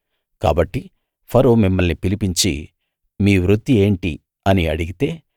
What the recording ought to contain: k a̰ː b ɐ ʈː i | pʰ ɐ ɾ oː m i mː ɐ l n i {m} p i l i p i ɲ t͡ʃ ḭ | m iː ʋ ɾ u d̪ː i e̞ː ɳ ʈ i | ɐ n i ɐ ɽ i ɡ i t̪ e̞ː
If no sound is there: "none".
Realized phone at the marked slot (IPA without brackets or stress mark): none